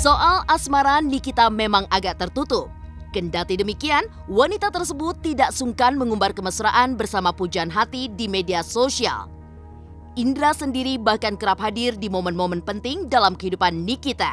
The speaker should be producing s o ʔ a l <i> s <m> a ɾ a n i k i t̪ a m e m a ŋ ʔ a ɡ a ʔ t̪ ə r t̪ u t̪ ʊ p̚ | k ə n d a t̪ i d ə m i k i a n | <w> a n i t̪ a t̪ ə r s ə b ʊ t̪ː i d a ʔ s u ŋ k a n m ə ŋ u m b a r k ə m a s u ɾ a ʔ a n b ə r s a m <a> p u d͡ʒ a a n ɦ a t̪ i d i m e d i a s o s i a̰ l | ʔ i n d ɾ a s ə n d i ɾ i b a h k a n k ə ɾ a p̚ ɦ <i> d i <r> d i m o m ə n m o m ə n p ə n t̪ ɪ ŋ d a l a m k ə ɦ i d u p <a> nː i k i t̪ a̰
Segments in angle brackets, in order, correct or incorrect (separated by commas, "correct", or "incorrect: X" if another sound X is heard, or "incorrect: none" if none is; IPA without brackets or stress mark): incorrect: a, correct, correct, correct, incorrect: a, correct, correct